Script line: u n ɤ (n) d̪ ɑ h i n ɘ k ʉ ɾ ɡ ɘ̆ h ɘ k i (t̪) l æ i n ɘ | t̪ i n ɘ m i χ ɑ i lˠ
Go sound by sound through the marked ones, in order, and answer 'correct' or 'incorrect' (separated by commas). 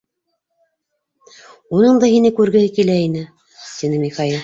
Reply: incorrect, incorrect